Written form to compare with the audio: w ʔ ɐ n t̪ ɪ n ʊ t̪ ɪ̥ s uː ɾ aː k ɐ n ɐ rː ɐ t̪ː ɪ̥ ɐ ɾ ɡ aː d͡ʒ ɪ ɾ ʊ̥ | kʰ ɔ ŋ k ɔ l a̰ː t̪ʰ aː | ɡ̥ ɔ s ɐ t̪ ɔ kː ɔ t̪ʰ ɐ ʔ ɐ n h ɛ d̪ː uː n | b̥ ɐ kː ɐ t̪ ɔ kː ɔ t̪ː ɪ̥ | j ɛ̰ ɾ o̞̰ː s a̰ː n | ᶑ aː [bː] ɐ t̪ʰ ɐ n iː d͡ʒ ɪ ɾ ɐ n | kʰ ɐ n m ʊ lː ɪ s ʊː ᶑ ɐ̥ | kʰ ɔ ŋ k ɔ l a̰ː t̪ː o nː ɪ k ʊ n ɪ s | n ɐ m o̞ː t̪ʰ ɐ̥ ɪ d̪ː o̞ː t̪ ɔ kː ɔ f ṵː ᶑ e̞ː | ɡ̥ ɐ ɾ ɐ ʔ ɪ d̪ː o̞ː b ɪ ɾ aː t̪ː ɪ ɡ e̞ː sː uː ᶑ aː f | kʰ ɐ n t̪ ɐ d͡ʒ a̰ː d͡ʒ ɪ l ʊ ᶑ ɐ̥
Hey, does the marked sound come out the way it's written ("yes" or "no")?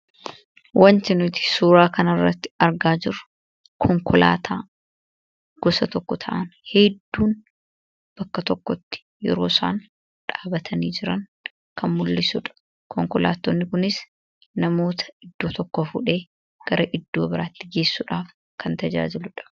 no